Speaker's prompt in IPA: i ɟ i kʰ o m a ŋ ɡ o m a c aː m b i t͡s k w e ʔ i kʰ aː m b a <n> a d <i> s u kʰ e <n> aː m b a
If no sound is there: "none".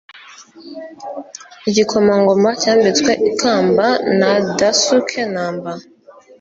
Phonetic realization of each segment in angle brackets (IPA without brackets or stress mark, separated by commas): n, a, n